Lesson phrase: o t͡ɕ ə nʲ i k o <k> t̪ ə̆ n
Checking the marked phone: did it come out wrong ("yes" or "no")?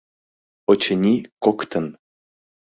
no